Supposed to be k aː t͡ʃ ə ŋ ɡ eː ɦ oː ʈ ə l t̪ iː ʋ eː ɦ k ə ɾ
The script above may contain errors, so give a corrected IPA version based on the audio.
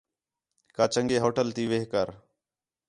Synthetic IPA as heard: k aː t͡ʃ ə ŋ ɡ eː ɦ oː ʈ ə l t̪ iː ʋ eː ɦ k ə ɾ